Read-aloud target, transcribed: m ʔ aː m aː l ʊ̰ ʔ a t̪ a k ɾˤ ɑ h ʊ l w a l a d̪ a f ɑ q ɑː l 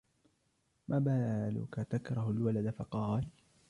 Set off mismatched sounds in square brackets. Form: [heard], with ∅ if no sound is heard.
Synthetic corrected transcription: m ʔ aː [b] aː l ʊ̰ [k] a t̪ a k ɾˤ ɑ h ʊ l w a l a d̪ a f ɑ q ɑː l